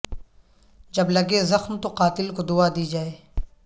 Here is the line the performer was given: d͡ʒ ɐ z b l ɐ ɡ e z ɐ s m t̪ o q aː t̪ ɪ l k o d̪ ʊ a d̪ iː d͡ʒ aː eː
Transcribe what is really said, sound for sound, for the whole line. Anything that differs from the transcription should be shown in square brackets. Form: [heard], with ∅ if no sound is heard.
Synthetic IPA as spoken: d͡ʒ ɐ [∅] b l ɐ ɡ e z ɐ [x] m t̪ o q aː t̪ ɪ l k o d̪ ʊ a d̪ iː d͡ʒ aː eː